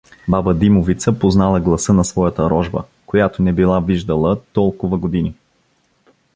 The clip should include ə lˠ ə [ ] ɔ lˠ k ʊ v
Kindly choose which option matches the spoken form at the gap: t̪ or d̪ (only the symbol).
t̪